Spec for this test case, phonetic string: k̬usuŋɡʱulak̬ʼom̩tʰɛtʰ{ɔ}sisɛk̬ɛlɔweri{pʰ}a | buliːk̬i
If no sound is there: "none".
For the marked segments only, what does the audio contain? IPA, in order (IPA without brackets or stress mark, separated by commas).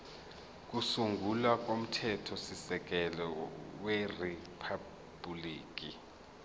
ɔ, pʰ